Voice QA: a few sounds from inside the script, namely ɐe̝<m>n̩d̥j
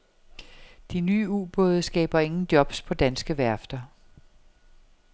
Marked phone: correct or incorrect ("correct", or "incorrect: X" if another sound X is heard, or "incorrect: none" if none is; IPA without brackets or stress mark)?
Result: incorrect: ŋ